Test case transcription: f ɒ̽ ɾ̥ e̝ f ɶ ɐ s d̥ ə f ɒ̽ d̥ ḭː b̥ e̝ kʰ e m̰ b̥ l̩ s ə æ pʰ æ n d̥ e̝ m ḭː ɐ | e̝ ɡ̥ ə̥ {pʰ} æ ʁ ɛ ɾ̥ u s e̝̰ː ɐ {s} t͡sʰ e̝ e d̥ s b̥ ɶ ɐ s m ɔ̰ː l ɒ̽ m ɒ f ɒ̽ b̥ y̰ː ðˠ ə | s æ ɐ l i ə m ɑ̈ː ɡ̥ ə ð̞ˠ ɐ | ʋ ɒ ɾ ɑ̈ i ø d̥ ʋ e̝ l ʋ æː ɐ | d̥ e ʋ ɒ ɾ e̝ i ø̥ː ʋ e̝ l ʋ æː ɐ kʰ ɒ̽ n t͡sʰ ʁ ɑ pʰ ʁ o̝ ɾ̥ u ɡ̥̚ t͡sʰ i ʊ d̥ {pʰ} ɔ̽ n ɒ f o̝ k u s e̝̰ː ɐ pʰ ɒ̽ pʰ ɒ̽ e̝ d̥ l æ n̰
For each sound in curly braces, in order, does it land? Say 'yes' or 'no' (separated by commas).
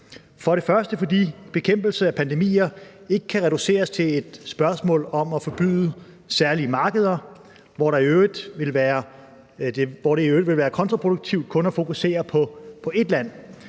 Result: no, yes, no